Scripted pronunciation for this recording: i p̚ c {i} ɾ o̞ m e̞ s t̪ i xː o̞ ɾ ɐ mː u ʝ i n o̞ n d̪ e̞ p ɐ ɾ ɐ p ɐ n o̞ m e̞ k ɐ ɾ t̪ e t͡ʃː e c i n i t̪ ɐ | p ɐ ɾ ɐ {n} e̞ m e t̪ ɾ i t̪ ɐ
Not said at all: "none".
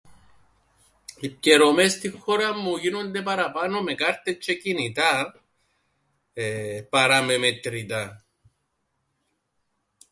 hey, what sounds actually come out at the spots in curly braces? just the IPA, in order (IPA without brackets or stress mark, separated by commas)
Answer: e, m